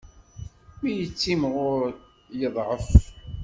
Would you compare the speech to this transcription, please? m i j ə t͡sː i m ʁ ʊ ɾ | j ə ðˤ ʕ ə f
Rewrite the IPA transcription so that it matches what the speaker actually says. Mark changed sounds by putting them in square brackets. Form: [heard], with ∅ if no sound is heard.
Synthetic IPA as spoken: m i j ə t͡sː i m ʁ ʊ ɾ | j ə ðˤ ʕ ə f